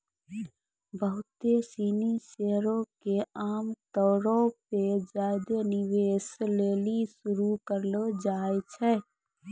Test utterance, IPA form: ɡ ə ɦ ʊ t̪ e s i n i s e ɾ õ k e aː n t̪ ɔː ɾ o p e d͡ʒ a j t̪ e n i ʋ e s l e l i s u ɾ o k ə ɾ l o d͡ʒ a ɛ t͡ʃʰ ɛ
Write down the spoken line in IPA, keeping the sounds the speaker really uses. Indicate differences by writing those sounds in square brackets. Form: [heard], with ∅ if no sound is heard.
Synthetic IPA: [b] ə ɦ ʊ t̪ e s i n i s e ɾ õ k e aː [m] t̪ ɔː ɾ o p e d͡ʒ a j [d̪] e n i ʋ e s l e l i s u ɾ [u] k ə ɾ l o d͡ʒ a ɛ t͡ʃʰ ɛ